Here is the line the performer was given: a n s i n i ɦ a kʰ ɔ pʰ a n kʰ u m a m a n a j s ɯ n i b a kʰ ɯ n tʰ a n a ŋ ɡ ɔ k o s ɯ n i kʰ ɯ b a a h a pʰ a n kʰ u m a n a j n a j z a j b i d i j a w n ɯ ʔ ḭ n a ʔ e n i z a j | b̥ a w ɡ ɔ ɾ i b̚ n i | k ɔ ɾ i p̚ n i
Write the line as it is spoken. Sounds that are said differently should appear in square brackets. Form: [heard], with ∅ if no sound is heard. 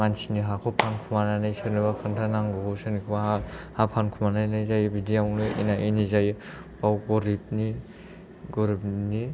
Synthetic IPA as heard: a n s i n i ɦ a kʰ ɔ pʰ a n kʰ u m a [n] a n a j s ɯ n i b a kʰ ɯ n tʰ a n a ŋ ɡ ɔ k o s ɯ n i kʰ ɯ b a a h a pʰ a n kʰ u m a n a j n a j z a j b i d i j a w n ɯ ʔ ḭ n a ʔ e n i z a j | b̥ a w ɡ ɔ ɾ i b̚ n i | [ɡ] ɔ ɾ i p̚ n i